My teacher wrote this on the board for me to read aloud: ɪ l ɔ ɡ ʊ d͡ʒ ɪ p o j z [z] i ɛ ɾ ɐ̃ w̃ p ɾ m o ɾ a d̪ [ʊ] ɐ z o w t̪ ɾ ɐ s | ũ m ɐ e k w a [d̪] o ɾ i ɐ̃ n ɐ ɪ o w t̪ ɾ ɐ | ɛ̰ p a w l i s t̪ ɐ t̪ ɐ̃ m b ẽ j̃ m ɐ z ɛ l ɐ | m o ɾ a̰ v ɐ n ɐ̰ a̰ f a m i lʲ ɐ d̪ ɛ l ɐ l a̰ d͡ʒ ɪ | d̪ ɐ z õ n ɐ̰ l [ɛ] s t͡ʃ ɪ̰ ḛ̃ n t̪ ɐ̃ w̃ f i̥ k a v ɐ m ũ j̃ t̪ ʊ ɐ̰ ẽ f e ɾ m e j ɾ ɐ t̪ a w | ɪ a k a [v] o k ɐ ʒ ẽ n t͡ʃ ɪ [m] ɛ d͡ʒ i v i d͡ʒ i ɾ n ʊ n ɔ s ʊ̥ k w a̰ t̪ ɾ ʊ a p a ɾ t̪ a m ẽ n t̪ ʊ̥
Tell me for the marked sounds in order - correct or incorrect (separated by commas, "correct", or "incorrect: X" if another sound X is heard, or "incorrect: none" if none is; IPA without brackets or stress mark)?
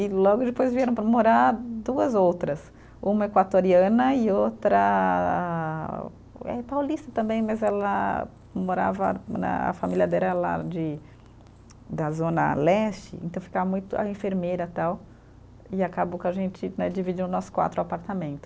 incorrect: v, incorrect: u, incorrect: t̪, correct, incorrect: b, incorrect: n